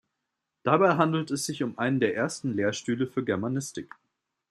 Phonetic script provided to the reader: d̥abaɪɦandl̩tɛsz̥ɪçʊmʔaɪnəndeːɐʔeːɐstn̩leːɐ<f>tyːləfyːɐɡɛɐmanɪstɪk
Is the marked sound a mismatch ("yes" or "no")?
yes